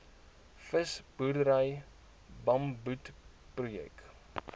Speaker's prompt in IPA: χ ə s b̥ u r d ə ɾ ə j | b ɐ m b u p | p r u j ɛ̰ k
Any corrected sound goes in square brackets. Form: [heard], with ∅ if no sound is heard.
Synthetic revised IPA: [f] ə s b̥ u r d ə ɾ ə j | b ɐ m b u [t] | p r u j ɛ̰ k

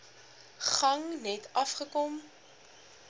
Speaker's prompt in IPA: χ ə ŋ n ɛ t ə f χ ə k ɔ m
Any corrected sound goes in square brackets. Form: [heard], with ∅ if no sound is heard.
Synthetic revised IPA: χ [ɐ] ŋ n ɛ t [ɐ] f χ ə k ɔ m

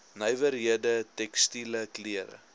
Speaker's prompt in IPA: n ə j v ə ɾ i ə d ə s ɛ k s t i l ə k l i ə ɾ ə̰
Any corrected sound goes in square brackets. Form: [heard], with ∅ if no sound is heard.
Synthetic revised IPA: n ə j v ə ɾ i ə d ə [t] ɛ k s t i l ə k l i ə ɾ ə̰

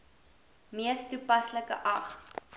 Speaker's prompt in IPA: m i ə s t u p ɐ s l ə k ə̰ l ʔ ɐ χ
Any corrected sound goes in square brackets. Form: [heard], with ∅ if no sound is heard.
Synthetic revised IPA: m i ə s t u p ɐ s l ə k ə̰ [∅] ʔ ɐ χ

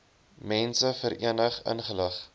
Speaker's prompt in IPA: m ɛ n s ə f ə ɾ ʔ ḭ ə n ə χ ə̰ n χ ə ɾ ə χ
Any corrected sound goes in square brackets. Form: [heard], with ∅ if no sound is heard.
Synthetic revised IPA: m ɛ n s ə f ə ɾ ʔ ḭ ə n ə χ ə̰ n χ ə [l] ə χ

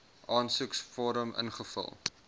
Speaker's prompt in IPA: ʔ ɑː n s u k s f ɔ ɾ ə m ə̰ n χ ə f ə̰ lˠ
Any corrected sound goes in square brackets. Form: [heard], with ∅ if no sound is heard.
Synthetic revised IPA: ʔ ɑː n s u k s f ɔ ɾ ə m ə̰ n χ ə f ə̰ lˠ

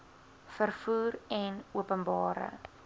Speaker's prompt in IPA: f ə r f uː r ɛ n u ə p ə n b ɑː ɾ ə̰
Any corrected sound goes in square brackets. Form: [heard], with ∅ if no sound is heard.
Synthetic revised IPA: f ə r f uː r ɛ n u ə p ə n b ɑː ɾ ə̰

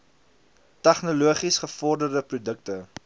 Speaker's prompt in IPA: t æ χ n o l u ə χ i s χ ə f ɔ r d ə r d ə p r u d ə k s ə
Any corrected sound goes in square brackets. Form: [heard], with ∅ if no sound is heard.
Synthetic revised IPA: t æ χ n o l u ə χ i s χ ə f ɔ r d ə r d ə p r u d ə k [t] ə

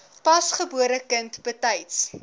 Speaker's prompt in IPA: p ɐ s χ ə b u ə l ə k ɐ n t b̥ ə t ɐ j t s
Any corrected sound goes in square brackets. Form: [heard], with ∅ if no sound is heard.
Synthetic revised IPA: p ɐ s χ ə b u ə [ɾ] ə k [ə] n t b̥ ə t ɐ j t s

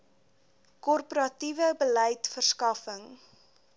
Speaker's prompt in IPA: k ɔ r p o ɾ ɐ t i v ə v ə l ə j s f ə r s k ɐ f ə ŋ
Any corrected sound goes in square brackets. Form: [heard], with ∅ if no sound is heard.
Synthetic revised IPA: k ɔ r p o ɾ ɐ t i v ə [b] ə l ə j [t] f ə r s k ɐ f ə ŋ

